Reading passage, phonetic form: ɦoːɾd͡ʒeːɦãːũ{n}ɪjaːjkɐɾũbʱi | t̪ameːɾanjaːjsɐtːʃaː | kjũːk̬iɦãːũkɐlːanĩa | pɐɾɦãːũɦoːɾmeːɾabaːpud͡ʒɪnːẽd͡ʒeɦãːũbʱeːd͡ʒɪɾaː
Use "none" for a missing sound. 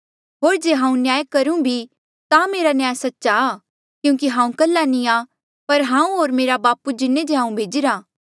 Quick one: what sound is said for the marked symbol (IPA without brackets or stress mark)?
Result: n